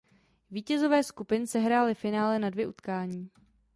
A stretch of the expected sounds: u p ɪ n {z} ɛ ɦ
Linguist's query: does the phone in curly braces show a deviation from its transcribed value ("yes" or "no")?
yes